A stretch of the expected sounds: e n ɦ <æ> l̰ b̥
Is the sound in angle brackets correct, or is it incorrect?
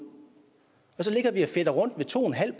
correct